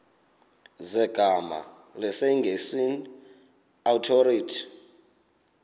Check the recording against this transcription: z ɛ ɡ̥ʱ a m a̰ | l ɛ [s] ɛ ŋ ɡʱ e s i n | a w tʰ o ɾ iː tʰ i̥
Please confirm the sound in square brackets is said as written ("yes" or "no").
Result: yes